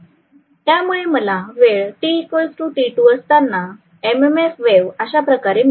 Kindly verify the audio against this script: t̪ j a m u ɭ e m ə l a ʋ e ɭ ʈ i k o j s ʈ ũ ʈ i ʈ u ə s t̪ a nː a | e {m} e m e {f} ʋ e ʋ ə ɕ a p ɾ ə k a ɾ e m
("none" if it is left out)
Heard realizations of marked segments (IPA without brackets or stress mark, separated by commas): m, f